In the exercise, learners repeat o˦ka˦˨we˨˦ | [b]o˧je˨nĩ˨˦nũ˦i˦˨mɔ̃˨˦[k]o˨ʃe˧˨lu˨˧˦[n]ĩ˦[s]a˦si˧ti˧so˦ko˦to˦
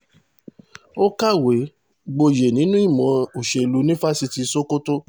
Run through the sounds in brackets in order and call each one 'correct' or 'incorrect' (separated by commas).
incorrect, incorrect, correct, incorrect